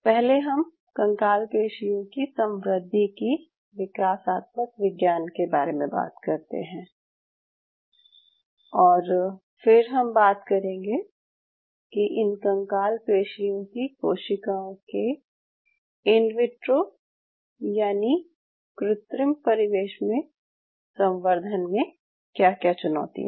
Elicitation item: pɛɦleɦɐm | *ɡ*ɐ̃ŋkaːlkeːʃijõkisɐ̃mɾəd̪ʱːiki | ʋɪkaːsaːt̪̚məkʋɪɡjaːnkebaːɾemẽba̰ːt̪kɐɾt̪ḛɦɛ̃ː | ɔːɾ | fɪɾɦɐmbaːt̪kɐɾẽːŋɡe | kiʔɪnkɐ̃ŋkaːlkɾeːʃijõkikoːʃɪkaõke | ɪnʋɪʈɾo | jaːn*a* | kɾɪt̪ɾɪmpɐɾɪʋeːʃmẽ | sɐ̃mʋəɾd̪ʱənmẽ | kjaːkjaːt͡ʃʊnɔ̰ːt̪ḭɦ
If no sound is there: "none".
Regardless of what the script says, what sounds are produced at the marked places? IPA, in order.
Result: k, i

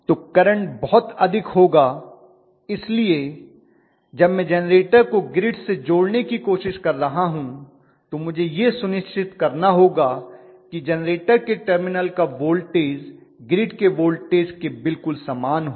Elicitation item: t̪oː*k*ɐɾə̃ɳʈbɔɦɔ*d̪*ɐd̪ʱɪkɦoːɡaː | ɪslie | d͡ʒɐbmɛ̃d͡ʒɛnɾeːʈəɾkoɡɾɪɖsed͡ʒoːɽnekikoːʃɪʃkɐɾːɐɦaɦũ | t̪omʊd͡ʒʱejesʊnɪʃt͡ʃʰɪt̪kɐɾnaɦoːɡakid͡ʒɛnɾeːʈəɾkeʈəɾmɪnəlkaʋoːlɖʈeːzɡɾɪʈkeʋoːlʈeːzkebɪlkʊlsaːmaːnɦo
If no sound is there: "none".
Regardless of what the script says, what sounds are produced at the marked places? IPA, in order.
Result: k, t̪

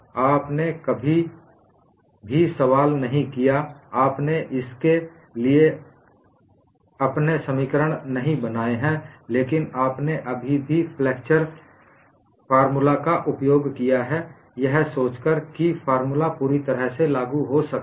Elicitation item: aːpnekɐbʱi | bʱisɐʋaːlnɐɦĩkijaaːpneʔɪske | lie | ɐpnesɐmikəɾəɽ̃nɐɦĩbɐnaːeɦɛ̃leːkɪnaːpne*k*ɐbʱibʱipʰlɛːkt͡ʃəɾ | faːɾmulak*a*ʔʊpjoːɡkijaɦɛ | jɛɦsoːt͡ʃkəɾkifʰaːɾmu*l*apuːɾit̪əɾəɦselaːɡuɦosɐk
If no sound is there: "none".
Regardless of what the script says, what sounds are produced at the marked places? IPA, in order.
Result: ʔ, a, l

